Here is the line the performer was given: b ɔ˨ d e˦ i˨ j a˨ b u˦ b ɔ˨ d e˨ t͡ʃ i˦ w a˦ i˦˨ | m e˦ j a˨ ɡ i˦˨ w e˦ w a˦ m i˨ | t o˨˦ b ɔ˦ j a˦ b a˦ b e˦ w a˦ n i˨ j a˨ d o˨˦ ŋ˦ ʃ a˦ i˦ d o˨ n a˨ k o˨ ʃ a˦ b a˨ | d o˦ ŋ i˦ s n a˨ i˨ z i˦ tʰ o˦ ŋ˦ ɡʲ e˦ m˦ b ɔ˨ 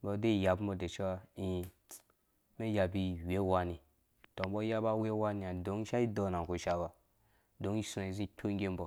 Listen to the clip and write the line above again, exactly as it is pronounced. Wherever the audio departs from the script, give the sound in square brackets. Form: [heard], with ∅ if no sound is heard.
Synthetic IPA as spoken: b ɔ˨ d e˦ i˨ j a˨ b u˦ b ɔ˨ d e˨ t͡ʃ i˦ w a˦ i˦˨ | m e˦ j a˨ [b] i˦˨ w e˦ w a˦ [n] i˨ | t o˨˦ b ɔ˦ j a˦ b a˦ [w] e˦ w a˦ n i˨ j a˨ d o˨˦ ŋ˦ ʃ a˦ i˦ d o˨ n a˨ k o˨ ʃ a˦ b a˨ | d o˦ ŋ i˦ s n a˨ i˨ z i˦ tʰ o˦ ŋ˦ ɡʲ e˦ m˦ b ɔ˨